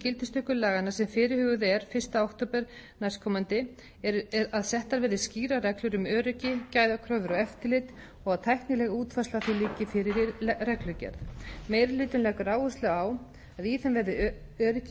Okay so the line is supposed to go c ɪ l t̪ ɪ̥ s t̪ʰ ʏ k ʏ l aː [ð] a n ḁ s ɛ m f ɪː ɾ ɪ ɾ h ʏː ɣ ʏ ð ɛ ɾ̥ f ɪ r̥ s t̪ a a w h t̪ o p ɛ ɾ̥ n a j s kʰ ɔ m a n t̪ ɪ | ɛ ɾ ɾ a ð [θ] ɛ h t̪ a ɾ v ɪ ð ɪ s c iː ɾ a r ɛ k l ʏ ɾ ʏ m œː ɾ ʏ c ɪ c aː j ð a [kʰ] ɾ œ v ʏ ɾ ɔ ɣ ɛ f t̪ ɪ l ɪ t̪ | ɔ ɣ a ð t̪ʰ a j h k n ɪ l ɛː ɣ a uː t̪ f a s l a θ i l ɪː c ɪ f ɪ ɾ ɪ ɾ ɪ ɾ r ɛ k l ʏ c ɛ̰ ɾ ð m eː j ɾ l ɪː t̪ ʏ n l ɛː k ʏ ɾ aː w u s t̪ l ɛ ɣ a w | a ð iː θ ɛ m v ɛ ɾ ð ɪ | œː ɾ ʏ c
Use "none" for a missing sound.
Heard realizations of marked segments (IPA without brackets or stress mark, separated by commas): ɣ, s, kʰ